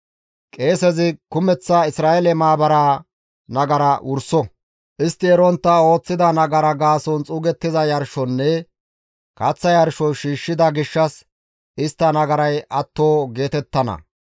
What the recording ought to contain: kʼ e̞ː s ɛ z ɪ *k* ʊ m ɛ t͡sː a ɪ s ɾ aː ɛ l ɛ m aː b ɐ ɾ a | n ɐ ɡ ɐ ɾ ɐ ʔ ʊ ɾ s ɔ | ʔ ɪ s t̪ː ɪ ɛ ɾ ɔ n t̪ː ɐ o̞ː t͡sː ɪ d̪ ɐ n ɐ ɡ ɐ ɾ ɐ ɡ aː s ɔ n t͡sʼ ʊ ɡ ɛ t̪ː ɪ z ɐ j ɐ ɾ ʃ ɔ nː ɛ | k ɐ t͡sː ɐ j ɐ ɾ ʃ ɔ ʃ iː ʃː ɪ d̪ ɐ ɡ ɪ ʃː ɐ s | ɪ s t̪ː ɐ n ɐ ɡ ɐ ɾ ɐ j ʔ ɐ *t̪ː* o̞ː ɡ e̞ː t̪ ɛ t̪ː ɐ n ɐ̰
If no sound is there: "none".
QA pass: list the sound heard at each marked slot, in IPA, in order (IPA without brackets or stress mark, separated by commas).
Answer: k, t̪ː